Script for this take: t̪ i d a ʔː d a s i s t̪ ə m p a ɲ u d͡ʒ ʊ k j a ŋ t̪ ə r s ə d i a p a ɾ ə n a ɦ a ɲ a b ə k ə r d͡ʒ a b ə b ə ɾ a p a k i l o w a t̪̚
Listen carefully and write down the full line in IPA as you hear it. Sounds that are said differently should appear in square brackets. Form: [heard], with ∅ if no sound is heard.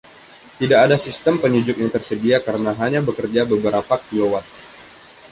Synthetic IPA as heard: t̪ i d a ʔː d a s i s t̪ ə m p [ə] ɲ u d͡ʒ ʊ k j a ŋ t̪ ə r s ə d i a [k] a ɾ ə n a ɦ a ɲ a b ə k ə r d͡ʒ a b ə b ə ɾ a p a k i l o w a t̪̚